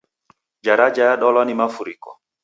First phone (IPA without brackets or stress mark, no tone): d͡ʒ